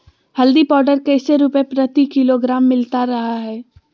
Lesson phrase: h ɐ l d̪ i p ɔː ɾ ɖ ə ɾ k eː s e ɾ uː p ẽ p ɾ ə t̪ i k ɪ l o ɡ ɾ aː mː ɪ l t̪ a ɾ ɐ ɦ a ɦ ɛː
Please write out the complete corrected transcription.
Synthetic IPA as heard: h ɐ l d̪ i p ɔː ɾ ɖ ə ɾ k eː s e ɾ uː p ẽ p ɾ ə t̪ i k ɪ l o ɡ ɾ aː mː ɪ l t̪ a ɾ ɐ ɦ a ɦ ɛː